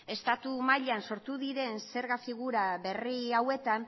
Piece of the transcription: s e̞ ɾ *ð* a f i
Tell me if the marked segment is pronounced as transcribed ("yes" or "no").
no